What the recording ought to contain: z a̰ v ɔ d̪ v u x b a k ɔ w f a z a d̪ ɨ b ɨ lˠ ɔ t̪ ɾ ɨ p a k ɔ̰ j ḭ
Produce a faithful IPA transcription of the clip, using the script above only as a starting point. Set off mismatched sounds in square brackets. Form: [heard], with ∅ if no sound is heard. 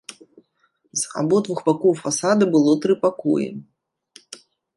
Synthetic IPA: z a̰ [b] ɔ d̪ v u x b a k ɔ w f a [s] a d̪ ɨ b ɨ lˠ ɔ t̪ ɾ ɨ p a k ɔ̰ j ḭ